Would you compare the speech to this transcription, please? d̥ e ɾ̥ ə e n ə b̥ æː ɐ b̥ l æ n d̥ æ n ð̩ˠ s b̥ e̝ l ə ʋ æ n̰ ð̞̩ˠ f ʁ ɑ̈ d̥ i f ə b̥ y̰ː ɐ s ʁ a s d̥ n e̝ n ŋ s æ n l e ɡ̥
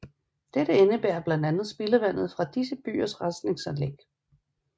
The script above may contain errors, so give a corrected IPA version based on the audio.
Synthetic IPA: d̥ e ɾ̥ ə e n ə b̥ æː ɐ b̥ l æ n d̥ æ n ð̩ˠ s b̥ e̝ l ə ʋ æ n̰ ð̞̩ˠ f ʁ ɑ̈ d̥ i s ə b̥ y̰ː ɐ s ʁ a s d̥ n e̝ ŋ s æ n l e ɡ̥

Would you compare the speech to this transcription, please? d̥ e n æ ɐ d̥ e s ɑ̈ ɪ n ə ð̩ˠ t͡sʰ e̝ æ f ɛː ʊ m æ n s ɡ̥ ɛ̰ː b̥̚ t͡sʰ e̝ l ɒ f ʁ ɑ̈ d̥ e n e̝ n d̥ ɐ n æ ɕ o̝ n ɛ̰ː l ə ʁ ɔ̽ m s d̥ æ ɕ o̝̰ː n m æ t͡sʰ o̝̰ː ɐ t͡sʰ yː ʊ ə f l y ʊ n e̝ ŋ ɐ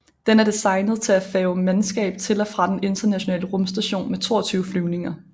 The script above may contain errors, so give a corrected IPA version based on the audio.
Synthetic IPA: d̥ e n æ ɐ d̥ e s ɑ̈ ɪ n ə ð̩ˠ t͡sʰ e̝ æ f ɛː ʊ m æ n s ɡ̥ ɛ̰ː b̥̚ t͡sʰ e̝ l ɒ f ʁ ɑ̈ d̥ e n e̝ n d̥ ɐ n æ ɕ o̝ n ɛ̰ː l ə ʁ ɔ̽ m s d̥ æ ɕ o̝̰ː n m e t͡sʰ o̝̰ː ɐ t͡sʰ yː ʊ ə f l y ʊ n e̝ ŋ ɐ

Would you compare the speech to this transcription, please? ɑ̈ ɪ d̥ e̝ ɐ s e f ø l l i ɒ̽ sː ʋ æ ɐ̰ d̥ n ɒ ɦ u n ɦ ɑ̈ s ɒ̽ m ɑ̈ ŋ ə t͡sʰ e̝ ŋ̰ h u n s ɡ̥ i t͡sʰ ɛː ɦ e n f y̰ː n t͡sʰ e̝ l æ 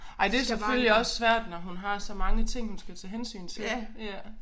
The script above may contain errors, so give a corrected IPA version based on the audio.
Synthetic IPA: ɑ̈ ɪ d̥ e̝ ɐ s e f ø l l i ɒ̽ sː ʋ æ ɐ̰ d̥ n ɒ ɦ u n ɦ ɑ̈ s ɒ̽ m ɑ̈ ŋ ə t͡sʰ e̝ ŋ̰ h u n s ɡ̥ æ t͡sʰ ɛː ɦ e n s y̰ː n t͡sʰ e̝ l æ

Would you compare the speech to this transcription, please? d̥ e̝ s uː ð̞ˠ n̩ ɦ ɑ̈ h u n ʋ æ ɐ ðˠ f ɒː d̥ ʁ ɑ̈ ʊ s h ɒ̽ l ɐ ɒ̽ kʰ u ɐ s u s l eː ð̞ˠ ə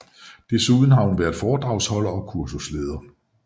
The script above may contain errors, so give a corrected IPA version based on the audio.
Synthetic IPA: d̥ e̝ s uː ð̞ˠ n̩ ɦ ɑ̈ h u n ʋ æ ɐ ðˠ f ɒː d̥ ʁ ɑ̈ ʊ s h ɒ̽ l ɐ ɒ̽ kʰ u ɐ s u s l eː ð̞ˠ ɐ

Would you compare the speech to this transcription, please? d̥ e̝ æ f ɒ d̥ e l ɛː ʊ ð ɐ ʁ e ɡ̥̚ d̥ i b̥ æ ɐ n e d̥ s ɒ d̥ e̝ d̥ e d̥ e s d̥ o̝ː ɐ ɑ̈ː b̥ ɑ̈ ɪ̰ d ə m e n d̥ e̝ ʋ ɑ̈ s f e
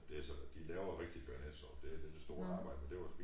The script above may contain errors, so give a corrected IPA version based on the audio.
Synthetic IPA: d̥ e̝ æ s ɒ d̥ i l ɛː ʊ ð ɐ ʁ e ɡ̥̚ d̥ i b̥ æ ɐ n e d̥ s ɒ d̥ e̝ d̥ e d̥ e s d̥ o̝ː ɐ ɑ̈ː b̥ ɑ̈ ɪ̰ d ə m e n d̥ e̝ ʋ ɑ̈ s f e

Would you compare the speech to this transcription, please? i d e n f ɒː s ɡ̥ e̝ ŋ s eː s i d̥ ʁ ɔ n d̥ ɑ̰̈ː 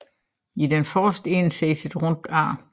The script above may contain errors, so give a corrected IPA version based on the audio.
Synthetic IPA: i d e n f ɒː s d̥ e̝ n s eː s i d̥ ʁ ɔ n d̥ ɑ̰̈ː

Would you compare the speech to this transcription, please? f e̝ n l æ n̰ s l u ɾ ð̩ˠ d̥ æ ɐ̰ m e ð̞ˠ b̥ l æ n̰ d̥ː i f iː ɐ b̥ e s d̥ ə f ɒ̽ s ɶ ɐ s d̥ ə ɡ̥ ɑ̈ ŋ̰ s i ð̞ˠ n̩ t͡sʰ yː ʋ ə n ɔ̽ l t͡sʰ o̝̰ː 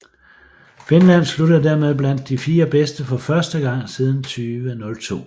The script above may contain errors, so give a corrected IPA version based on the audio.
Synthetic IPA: f e̝ n l æ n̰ s l u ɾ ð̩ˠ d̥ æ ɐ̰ m e ð̞ˠ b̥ l æ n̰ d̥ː i f iː ɐ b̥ e s d̥ ə f ɒ̽ f ɶ ɐ s d̥ ə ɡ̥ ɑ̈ ŋ̰ s i ð̞ˠ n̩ t͡sʰ yː ʋ ə n ɔ̽ l t͡sʰ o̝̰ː

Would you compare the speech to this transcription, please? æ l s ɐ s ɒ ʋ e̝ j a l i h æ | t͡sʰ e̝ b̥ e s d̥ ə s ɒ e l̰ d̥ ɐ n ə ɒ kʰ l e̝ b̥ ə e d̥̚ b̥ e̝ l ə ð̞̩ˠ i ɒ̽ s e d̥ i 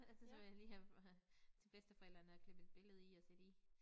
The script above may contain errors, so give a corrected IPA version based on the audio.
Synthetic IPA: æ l s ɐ s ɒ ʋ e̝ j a l iː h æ | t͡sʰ e̝ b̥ e s d̥ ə f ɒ e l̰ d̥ ɐ n ə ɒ kʰ l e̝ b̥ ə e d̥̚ b̥ e̝ l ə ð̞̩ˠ i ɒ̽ s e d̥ i

